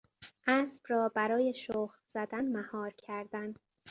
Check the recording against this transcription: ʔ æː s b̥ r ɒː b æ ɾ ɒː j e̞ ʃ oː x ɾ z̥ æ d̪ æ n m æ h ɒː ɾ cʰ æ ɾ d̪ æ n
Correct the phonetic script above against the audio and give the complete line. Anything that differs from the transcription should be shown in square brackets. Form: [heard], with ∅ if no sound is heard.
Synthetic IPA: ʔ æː s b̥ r ɒː b æ ɾ ɒː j e̞ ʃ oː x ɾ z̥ æ d̪ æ n m æ h ɒː ɾ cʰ æ ɾ d̪ æ n